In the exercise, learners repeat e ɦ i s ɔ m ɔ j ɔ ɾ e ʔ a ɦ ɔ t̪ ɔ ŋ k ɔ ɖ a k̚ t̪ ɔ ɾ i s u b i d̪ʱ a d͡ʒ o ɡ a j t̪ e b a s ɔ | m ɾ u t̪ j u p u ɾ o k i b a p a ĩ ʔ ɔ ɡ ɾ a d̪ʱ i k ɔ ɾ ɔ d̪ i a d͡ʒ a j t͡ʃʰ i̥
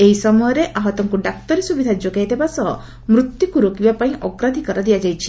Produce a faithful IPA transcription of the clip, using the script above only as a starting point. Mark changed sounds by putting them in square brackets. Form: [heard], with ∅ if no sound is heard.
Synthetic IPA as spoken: e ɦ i s ɔ m ɔ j ɔ ɾ e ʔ a ɦ ɔ t̪ ɔ ŋ k [u] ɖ a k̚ t̪ ɔ ɾ i s u b i d̪ʱ a d͡ʒ o ɡ a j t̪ e b a s ɔ | m ɾ u t̪ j u [k] u ɾ o k i b a p a ĩ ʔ ɔ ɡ ɾ a d̪ʱ i k ɔ ɾ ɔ d̪ i a d͡ʒ a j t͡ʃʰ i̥